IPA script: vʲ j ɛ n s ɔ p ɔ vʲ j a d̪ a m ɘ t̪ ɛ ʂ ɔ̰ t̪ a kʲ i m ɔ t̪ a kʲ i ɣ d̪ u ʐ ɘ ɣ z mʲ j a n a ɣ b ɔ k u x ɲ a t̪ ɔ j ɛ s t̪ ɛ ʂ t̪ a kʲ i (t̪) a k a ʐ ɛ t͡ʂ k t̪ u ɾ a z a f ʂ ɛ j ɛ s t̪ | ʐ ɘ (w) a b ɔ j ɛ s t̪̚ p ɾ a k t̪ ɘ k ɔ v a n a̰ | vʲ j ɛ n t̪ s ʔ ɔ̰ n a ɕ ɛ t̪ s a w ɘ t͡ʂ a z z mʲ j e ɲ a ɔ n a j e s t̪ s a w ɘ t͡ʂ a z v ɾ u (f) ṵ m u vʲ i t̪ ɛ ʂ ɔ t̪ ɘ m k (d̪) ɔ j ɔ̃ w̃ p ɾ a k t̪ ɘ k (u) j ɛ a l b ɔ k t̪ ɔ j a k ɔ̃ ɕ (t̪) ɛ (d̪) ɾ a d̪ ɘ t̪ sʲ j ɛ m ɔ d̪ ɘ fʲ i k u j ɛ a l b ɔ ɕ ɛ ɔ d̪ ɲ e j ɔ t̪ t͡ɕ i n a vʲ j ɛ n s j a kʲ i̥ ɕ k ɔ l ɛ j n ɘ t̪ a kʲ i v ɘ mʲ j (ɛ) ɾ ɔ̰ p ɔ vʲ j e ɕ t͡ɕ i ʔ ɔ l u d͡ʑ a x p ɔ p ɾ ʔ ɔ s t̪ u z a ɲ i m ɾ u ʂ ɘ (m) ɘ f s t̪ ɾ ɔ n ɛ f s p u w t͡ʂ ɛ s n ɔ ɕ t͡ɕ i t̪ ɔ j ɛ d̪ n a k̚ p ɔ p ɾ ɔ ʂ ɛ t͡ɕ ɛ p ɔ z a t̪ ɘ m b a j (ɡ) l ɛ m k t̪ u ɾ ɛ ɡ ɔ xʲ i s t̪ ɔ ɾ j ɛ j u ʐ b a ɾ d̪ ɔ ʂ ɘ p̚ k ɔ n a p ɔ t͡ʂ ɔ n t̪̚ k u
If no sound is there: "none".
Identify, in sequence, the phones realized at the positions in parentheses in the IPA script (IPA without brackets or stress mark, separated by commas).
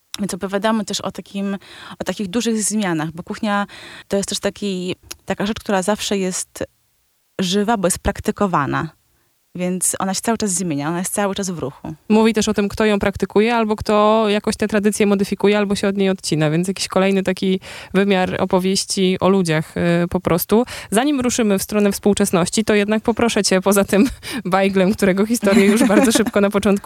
t̪, v, x, t̪, u, t̪, t̪, a, m, ɡ